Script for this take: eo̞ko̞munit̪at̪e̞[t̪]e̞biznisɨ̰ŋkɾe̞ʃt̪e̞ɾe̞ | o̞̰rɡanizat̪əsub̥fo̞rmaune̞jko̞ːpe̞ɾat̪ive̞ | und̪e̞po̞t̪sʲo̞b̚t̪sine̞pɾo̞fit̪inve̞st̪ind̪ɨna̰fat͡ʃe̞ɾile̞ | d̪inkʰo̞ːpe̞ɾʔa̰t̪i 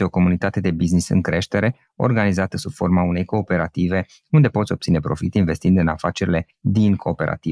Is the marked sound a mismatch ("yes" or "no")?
yes